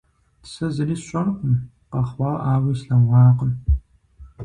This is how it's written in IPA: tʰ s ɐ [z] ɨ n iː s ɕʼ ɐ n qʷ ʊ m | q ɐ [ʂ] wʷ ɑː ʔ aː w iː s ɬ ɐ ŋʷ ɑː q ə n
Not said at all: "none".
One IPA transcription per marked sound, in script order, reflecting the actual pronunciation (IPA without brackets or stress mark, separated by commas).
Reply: z, χ